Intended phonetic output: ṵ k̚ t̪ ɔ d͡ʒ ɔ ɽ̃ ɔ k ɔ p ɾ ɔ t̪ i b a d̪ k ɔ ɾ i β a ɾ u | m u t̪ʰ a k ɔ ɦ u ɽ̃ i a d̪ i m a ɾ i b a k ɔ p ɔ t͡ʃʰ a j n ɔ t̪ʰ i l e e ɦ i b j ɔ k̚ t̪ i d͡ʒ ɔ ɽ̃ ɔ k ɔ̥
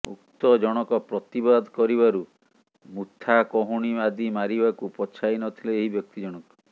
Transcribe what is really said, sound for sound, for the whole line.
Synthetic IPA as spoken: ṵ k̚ t̪ ɔ d͡ʒ ɔ ɽ̃ ɔ k ɔ p ɾ ɔ t̪ i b a d̪ k ɔ ɾ i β a ɾ u | m u t̪ʰ a k ɔ ɦ u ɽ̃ i a d̪ i m a ɾ i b a k u p ɔ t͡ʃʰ a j n ɔ t̪ʰ i l e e ɦ i b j ɔ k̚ t̪ i d͡ʒ ɔ ɽ̃ ɔ k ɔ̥